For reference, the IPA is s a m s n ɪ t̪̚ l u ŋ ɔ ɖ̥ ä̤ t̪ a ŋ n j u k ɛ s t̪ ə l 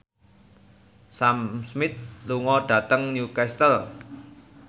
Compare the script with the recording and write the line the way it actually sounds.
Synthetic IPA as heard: s a m s m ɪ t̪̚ l u ŋ ɔ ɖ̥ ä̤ t̪ ə ŋ n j u k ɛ s t̪ ə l